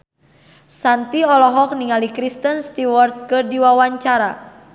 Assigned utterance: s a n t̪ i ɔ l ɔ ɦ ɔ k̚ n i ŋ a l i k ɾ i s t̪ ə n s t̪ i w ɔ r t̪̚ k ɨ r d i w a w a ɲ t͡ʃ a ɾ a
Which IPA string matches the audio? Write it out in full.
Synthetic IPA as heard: s a n t̪ i ɔ l ɔ ɦ ɔ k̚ n i ŋ a l i k ɾ i s t̪ ə n s t̪ i w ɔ r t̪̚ k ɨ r d i w a w a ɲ t͡ʃ a ɾ a